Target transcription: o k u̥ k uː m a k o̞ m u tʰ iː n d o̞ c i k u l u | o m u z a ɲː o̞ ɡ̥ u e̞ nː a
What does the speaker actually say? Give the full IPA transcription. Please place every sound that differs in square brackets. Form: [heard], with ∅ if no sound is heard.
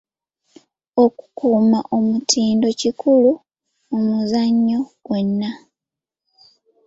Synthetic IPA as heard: o k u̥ k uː m a [ʔ] o̞ m u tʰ iː n d o̞ c i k u l u | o m u z a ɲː o̞ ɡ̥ [w] e̞ nː a

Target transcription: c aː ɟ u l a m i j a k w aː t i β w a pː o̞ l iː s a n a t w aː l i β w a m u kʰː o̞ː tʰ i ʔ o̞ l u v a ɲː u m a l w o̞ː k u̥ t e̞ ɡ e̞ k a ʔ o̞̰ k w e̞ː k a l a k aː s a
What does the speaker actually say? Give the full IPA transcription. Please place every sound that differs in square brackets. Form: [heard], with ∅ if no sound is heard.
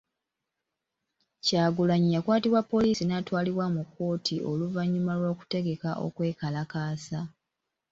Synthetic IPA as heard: c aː [ɡ] u l a [ɲ] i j a k w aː t i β w a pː o̞ l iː s [i] n a t w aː l i β w a m u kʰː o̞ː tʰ i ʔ o̞ l u v a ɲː u m a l w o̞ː k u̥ t e̞ ɡ e̞ k a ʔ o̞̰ k w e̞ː k a l a k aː s a

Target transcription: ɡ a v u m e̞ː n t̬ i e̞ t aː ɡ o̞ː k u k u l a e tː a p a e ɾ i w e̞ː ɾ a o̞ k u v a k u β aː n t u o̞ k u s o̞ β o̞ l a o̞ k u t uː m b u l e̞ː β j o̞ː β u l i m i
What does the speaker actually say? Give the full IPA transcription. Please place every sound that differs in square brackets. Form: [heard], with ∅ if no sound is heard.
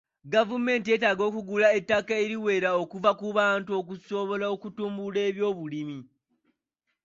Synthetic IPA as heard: ɡ a v u m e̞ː n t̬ i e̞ t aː ɡ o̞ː k u [ɡ] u l a e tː a [k] a e ɾ i w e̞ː ɾ a o̞ k u v a k u β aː n t u o̞ k u s o̞ β o̞ l a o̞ k u t uː m b u l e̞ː β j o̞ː β u l i m i

